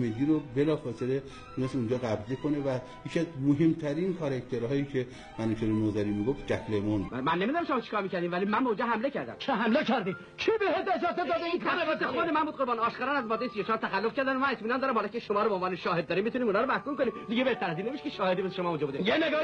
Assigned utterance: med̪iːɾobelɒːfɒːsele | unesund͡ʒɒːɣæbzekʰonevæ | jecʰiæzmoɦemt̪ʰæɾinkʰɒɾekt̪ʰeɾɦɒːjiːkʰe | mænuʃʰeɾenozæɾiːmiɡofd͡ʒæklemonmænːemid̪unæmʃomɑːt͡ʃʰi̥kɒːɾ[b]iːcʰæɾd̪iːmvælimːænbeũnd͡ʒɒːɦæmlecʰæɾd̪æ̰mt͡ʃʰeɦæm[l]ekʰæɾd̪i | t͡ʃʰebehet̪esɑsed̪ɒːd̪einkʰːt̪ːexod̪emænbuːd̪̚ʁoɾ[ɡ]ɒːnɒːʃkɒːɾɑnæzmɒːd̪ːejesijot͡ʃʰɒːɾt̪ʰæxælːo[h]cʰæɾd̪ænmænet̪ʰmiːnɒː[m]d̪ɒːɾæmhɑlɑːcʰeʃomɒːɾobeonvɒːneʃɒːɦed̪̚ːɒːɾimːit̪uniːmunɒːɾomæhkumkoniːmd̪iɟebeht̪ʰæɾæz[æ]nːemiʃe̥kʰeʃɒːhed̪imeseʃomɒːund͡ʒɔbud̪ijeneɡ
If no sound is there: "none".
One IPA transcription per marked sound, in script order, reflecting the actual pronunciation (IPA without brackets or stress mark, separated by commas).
m, l, b, f, n, i